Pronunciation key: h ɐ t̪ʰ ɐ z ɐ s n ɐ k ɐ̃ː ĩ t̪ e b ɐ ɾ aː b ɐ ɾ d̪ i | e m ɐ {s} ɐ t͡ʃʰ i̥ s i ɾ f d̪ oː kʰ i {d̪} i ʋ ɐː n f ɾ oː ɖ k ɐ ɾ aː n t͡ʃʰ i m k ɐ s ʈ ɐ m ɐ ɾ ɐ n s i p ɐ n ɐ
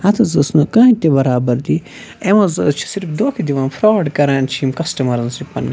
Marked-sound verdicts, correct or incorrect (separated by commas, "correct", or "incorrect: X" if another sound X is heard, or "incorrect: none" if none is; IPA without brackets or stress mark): incorrect: z, correct